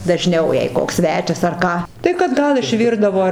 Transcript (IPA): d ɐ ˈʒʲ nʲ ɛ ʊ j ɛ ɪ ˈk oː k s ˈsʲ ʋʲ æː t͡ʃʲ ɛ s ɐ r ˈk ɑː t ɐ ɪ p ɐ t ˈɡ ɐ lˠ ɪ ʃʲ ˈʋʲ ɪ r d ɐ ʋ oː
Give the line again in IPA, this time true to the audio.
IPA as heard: d ɐ ˈʒʲ nʲ ɛ ʊ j ɛ ɪ ˈk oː k s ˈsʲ ʋʲ æː t͡ʃʲ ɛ s ɐ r ˈk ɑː t ɐ ɪ k ɐ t ˈɡ ɐ lˠ ɪ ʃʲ ˈʋʲ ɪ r d ɐ ʋ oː